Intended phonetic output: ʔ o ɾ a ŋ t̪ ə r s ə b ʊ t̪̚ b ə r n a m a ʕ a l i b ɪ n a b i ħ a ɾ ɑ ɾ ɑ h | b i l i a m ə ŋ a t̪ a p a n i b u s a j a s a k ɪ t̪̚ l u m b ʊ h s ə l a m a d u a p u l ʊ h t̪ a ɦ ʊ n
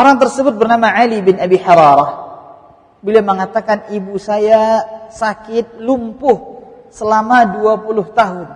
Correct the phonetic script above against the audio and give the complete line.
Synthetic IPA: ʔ o ɾ a ŋ t̪ ə r s ə b ʊ t̪̚ b ə r n a m a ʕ a l i b ɪ n a b i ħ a ɾ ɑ ɾ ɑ h | b i l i a m ə ŋ a t̪ a k a n i b u s a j a s a k ɪ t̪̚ l u m p ʊ h s ə l a m a d u a p u l ʊ h t̪ a ɦ ʊ n